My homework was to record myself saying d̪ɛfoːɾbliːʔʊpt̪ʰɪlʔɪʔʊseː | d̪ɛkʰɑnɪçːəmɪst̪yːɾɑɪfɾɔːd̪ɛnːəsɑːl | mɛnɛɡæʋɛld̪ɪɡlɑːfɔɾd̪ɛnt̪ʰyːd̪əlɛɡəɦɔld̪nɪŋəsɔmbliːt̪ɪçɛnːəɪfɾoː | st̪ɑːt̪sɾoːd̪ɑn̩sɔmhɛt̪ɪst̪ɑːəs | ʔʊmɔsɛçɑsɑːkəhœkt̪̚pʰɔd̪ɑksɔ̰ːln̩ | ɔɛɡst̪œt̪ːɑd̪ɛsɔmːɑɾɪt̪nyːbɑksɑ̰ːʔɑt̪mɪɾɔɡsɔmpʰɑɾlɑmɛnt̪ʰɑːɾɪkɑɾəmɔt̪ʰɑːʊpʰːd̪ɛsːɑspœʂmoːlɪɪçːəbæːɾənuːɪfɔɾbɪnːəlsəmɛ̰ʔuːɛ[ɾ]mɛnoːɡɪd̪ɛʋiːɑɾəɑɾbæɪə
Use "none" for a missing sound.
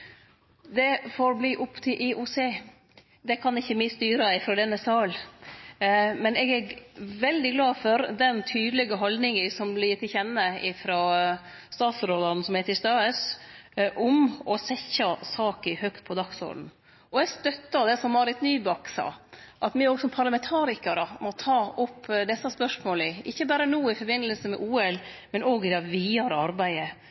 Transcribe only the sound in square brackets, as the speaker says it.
l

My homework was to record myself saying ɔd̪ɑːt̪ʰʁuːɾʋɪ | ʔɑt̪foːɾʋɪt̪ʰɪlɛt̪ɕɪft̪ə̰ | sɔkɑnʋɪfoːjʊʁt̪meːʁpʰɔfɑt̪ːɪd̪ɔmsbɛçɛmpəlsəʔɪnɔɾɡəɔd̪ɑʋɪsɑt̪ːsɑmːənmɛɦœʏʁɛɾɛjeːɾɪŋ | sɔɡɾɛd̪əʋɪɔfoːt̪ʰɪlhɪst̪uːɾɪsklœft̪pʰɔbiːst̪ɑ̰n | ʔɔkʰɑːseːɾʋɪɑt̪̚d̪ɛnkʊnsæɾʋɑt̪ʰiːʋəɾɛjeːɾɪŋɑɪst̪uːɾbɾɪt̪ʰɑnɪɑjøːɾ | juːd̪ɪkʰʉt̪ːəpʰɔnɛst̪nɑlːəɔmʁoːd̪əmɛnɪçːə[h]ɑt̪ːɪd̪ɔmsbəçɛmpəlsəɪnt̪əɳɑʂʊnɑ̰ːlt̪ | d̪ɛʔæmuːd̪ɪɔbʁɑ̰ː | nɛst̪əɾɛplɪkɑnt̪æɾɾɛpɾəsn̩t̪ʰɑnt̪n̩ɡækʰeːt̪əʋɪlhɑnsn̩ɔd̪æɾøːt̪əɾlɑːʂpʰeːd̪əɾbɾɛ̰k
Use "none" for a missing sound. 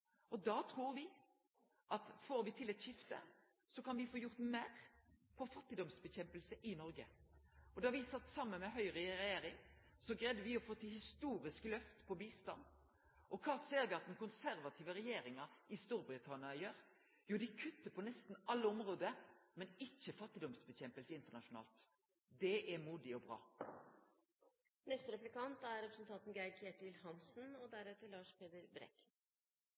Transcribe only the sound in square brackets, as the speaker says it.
f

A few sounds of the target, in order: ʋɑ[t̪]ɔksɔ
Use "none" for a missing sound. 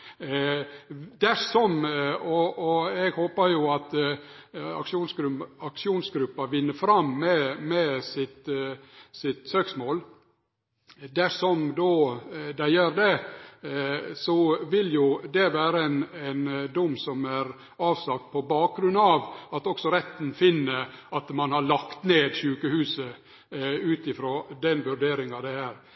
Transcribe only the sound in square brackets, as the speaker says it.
t̪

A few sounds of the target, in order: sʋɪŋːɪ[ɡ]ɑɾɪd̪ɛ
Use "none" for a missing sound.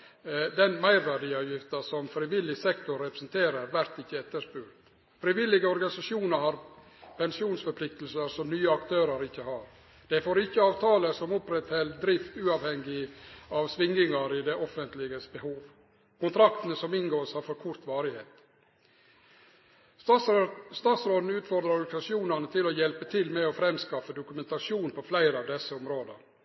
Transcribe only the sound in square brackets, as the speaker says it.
ŋ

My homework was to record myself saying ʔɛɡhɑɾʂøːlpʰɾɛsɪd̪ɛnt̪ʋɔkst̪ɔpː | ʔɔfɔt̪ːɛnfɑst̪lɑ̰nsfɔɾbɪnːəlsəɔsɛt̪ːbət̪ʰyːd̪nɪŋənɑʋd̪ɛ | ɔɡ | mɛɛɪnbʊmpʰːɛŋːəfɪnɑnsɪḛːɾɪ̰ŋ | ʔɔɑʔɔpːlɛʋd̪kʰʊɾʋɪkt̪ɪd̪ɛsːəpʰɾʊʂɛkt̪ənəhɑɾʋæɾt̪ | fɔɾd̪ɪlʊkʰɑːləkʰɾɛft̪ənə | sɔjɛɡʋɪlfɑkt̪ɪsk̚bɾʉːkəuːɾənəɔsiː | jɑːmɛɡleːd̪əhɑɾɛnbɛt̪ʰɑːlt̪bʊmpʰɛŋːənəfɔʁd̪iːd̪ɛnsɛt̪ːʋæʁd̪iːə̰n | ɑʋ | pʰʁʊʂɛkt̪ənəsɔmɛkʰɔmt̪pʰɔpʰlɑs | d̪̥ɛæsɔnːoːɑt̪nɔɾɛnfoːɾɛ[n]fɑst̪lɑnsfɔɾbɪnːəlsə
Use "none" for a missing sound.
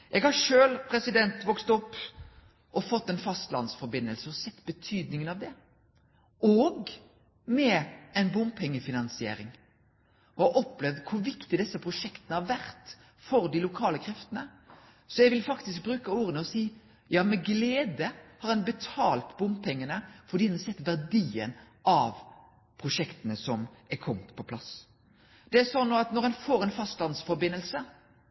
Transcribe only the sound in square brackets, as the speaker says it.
n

